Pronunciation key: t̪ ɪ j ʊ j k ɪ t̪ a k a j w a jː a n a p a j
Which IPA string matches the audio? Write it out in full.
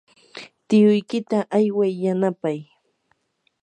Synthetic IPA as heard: t̪ ɪ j ʊ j k ɪ t̪ a ʔ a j w a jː a n a p a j